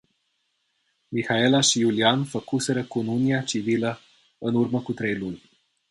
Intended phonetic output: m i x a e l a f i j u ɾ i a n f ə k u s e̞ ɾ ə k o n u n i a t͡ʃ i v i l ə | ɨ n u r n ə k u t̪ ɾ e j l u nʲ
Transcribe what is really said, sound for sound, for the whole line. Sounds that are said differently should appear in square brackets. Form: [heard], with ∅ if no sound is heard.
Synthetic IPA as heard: m i x a e l a [ʃ] i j u [l] i a n f ə k u s e̞ ɾ ə k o n u n i a t͡ʃ i v i l ə | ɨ n u r [m] ə k u t̪ ɾ e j l u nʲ